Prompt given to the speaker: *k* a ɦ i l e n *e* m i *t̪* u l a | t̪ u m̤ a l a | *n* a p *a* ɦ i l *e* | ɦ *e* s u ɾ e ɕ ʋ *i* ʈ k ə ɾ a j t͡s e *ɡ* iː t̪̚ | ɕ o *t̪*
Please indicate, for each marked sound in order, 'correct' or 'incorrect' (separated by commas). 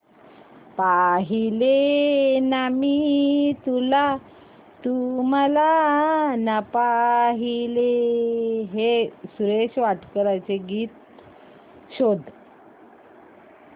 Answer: incorrect, incorrect, correct, correct, correct, correct, correct, incorrect, correct, incorrect